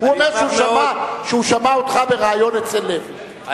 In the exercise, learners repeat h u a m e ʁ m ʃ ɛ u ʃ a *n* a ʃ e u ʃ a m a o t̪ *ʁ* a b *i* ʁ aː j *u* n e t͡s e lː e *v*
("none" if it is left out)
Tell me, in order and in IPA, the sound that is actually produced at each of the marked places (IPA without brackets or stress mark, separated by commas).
m, χ, e, o, v